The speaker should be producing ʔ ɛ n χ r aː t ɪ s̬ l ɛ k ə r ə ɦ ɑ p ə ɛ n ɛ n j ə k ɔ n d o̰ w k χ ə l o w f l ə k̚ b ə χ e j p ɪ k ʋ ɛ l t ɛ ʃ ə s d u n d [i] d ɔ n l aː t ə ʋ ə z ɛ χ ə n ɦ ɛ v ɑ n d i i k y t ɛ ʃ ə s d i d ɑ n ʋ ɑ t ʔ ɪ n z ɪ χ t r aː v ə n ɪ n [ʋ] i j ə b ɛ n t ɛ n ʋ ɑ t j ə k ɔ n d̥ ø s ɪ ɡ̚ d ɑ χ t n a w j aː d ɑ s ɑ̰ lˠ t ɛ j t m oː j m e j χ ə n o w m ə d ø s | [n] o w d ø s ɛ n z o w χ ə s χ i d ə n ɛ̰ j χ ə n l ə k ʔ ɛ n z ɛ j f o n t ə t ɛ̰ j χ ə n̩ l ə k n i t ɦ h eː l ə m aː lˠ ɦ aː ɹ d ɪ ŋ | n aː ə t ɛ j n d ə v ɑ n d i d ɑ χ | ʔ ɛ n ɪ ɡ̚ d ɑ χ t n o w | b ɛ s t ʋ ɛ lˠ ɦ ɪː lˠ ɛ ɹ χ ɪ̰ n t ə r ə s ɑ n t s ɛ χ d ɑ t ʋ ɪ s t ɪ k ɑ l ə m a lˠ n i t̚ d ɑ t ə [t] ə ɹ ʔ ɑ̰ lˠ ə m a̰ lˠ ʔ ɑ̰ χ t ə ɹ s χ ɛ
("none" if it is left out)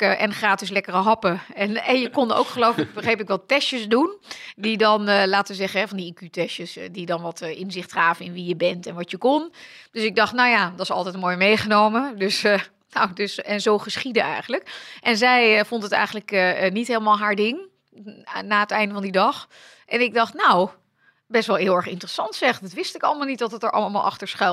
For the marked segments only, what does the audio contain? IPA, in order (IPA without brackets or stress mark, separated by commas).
i, ʋ, n, t